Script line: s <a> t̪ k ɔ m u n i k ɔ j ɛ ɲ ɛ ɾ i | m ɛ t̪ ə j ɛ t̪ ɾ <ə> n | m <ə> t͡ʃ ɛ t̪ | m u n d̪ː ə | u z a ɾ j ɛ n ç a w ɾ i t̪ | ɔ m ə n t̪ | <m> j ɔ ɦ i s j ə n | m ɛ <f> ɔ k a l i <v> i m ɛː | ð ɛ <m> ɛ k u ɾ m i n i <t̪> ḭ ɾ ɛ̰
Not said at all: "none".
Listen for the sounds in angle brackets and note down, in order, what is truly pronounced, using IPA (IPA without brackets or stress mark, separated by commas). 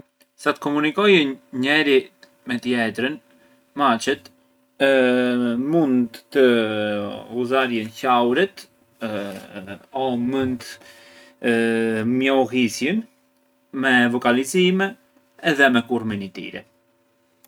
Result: a, ə, a, m, v, z, m, t̪